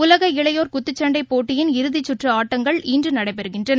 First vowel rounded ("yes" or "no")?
yes